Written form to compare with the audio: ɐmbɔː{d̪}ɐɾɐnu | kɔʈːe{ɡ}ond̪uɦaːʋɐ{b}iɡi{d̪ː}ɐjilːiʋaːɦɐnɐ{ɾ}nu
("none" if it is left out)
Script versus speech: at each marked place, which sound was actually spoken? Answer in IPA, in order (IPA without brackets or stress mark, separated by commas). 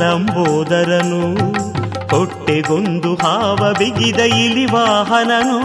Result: d̪, ɡ, b, d̪, none